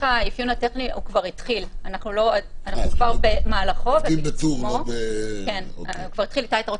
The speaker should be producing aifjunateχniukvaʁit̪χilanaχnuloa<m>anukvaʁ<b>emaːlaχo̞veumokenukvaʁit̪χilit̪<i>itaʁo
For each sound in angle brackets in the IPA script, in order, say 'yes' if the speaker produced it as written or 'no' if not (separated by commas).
no, yes, no